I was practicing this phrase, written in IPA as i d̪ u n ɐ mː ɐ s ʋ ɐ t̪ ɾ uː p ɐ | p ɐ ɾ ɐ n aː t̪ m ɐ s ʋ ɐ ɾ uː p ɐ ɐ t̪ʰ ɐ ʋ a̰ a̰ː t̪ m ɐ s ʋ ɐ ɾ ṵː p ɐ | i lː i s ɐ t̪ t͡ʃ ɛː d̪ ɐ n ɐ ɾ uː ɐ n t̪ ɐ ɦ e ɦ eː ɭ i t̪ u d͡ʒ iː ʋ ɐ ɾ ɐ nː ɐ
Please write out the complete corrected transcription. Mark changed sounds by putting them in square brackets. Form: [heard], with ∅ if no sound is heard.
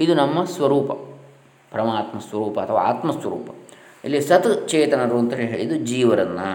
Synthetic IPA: i d̪ u n ɐ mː ɐ s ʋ ɐ [∅] ɾ uː p ɐ | p ɐ ɾ ɐ [m] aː t̪ m ɐ s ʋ ɐ ɾ uː p ɐ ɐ t̪ʰ ɐ ʋ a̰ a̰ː t̪ m ɐ s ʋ ɐ ɾ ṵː p ɐ | i lː i s ɐ t̪ t͡ʃ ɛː [t̪] ɐ n ɐ ɾ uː ɐ n t̪ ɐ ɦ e ɦ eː ɭ i [d̪] u d͡ʒ iː ʋ ɐ ɾ ɐ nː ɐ